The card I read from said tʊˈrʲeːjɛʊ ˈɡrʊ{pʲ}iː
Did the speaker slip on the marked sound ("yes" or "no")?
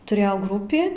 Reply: no